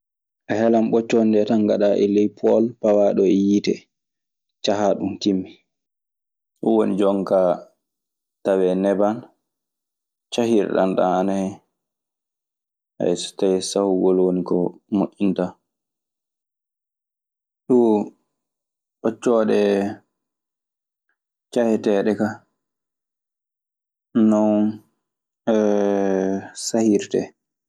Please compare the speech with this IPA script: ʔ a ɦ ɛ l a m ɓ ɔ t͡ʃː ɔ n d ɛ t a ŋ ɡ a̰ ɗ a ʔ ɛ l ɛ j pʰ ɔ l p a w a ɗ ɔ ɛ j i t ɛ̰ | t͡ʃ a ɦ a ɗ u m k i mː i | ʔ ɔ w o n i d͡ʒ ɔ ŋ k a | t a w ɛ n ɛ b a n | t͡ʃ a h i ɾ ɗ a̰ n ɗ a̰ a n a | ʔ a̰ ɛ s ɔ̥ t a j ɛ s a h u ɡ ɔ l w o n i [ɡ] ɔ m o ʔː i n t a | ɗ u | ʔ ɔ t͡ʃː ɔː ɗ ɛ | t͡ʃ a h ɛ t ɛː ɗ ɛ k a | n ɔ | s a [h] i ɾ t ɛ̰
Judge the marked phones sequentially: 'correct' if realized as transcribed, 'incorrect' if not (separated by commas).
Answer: incorrect, correct